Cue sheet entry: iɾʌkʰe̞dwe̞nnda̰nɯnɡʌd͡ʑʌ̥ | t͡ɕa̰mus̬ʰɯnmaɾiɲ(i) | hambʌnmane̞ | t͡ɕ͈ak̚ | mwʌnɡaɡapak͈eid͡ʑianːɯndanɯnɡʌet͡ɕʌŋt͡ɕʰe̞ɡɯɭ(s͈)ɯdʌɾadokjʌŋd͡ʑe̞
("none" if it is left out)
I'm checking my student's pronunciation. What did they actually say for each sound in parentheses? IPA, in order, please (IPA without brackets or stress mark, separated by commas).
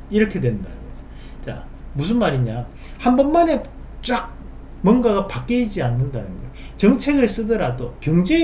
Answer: a, s͈